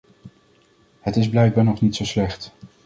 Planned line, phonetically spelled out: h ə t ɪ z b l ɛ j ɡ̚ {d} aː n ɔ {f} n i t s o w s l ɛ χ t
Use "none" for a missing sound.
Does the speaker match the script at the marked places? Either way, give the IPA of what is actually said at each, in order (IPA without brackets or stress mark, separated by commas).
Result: b, χ